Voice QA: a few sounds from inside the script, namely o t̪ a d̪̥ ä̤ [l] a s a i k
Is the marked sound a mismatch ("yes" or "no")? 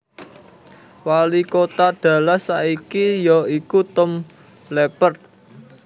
no